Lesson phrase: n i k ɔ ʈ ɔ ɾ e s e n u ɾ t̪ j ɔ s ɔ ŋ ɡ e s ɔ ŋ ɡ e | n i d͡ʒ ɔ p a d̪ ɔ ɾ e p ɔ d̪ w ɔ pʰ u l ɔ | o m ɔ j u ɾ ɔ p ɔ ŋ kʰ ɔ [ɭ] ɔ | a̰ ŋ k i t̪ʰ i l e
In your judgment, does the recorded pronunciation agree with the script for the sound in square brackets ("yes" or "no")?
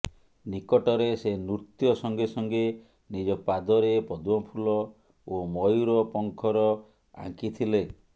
no